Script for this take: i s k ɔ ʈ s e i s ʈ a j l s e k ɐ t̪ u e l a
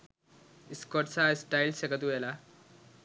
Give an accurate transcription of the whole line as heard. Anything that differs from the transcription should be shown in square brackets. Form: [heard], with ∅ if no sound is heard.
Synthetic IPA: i s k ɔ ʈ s [a] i s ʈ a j l s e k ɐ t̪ u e l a